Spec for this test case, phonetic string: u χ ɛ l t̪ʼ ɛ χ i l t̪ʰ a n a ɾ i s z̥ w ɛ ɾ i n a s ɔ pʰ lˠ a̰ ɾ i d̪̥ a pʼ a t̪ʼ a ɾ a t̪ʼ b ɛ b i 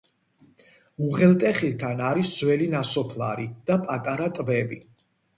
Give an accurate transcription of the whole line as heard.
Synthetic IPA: u ʁ ɛ l t̪ʼ ɛ χ i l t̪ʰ a n a ɾ i s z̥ w ɛ l i n a s ɔ pʰ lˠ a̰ ɾ i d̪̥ a pʼ a t̪ʼ a ɾ a t̪ʼ b ɛ b i